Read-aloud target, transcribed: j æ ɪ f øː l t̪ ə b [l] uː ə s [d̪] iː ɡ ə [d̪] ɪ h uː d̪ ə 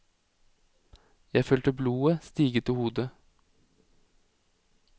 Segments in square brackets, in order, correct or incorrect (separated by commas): correct, incorrect, incorrect